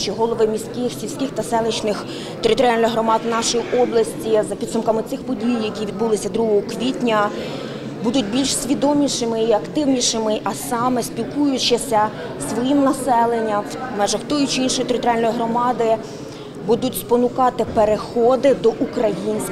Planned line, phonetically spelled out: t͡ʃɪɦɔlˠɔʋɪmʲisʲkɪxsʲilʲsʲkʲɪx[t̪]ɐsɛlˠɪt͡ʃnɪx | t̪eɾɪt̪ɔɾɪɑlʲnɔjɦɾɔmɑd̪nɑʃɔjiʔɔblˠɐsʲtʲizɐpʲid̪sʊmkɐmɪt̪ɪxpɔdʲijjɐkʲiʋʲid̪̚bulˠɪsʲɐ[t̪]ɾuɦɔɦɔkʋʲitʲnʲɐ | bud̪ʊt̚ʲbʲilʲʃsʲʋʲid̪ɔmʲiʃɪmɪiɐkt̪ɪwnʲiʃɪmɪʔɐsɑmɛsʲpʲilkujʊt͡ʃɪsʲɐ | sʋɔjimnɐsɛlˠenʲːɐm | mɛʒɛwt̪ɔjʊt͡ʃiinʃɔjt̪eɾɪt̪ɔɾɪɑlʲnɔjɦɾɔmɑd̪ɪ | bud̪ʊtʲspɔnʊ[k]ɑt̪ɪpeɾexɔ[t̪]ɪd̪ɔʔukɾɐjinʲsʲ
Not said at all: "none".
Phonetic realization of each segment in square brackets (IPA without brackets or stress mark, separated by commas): t̪, d̪, k, d̪